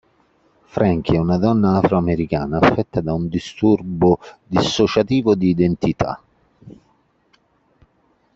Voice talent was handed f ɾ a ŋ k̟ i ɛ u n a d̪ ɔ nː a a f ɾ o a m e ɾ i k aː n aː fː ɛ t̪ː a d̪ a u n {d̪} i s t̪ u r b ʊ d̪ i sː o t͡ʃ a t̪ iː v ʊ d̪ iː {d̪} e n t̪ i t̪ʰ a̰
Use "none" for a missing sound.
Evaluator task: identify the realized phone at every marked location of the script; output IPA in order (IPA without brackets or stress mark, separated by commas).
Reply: d̪, d̪